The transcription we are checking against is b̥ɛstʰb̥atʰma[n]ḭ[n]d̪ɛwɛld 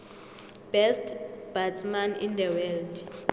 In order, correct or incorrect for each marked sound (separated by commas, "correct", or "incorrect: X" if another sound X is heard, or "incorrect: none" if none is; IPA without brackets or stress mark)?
correct, correct